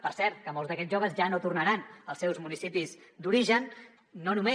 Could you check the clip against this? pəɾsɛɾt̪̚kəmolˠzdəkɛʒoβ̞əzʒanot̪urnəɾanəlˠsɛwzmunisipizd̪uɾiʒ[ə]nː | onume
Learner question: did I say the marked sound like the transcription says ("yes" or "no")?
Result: yes